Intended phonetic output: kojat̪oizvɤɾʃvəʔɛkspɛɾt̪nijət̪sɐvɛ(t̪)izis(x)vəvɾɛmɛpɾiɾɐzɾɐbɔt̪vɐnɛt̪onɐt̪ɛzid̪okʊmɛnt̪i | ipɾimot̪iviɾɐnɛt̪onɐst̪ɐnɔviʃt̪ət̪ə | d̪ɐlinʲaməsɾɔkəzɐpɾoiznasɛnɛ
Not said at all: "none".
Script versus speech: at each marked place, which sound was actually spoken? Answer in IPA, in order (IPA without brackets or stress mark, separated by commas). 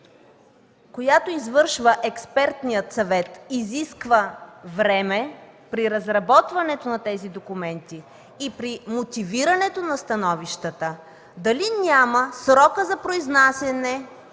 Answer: t̪, k